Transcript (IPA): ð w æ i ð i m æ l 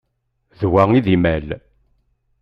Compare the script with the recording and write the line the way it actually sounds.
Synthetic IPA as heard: ð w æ i ð i m æ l